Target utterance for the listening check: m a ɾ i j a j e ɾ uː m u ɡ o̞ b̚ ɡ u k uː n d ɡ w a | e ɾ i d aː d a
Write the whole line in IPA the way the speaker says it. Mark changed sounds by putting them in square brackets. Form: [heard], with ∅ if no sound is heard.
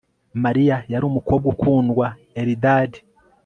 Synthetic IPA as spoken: m a ɾ i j a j [a] ɾ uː m u [k] o̞ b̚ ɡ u k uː n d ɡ w a | e ɾ i d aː d [i]